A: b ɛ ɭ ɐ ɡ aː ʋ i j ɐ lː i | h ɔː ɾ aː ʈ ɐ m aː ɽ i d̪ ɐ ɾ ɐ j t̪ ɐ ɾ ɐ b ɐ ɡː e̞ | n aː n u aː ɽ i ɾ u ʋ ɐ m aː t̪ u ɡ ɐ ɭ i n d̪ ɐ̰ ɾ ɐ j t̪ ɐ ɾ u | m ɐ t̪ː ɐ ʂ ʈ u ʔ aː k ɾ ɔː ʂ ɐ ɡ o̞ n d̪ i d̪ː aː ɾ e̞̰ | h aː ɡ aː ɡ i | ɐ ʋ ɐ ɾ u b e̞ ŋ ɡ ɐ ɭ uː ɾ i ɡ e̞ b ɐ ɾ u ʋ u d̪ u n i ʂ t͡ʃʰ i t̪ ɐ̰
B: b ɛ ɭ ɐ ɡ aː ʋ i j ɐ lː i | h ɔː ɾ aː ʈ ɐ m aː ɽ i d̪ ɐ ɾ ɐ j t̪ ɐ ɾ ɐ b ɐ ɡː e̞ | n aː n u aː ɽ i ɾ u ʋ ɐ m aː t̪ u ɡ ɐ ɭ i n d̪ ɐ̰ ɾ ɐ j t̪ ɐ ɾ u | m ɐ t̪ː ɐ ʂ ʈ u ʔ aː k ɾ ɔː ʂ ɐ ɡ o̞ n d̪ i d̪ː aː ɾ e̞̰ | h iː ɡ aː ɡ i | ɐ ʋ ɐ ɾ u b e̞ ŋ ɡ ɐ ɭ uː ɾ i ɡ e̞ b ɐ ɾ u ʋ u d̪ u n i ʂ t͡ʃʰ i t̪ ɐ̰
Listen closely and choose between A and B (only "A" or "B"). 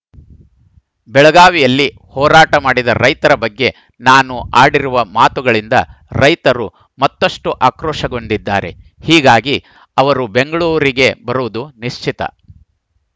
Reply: B